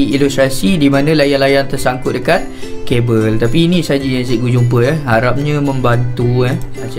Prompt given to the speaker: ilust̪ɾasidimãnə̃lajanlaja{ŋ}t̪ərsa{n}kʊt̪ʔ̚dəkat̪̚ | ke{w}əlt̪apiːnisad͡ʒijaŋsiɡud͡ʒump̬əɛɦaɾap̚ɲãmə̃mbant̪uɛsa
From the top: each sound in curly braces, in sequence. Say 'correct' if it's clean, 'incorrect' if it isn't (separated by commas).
incorrect, incorrect, incorrect